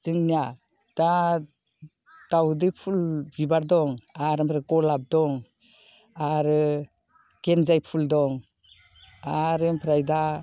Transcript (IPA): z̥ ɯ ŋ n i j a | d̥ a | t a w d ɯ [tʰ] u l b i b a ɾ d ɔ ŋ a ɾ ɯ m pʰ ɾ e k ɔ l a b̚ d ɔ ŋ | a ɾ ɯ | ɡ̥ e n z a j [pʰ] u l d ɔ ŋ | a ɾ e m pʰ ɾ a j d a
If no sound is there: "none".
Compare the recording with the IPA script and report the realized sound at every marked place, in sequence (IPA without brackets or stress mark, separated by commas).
pʰ, pʰ